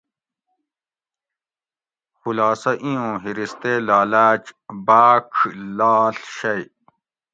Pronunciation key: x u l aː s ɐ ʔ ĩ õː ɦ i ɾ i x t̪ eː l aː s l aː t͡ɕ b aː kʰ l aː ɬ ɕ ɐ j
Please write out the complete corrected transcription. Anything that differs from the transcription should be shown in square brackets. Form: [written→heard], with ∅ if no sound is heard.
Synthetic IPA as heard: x u l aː s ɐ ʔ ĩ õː ɦ i ɾ i [x→s] t̪ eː l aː [s→∅] l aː t͡ɕ b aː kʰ l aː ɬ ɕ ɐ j